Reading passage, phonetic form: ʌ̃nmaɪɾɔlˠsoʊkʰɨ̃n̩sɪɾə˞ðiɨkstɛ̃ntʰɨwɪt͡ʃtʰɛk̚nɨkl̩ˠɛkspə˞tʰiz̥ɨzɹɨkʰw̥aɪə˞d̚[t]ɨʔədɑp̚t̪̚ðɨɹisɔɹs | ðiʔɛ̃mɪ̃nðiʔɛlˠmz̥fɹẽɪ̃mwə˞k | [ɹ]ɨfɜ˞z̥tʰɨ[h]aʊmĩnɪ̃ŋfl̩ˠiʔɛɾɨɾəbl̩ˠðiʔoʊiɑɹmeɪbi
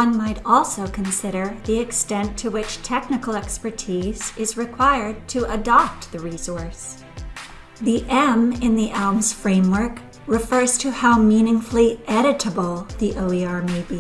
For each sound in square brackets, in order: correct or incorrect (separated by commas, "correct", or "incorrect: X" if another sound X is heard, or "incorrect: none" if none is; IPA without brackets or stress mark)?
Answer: incorrect: tʰ, correct, correct